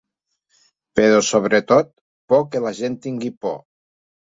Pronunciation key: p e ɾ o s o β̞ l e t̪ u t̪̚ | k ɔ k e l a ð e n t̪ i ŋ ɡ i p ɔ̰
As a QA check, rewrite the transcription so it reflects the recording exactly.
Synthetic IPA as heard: p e ɾ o s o β̞ ɾ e t̪ o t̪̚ | p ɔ k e l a ʒ e n t̪ i ŋ ɡ i p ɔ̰